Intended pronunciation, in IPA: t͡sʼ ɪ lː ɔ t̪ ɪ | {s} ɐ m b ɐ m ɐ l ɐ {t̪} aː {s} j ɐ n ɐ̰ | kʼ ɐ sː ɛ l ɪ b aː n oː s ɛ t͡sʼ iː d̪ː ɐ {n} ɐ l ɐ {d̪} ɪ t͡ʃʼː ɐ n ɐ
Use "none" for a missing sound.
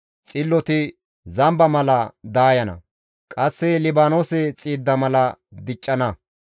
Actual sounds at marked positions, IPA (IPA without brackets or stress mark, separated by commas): z, d̪, none, m, d̪